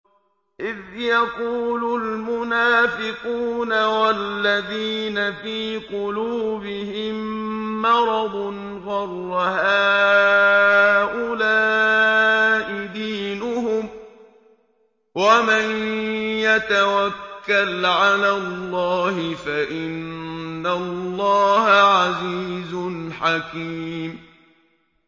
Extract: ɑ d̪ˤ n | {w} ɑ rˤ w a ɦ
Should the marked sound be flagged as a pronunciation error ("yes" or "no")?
yes